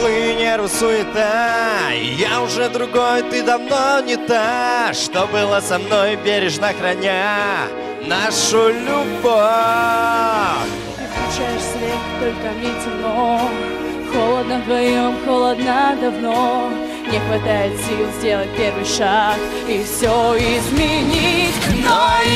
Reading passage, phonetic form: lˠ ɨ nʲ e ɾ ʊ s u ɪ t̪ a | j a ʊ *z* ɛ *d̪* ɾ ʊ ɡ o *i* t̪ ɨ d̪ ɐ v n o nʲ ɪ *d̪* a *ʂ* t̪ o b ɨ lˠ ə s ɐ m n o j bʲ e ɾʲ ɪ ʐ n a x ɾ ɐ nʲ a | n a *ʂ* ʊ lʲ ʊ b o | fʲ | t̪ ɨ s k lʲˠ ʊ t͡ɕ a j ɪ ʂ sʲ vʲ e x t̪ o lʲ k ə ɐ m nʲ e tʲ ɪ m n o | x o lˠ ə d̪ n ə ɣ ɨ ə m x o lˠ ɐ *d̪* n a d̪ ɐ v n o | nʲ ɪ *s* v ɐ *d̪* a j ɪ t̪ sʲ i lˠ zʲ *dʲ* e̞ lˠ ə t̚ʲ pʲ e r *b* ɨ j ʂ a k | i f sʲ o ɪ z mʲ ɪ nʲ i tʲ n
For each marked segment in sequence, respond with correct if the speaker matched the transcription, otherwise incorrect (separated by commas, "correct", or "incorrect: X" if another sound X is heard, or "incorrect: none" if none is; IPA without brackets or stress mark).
incorrect: ʐ, correct, incorrect: j, incorrect: t̪, correct, correct, correct, incorrect: x, incorrect: t̪, correct, incorrect: v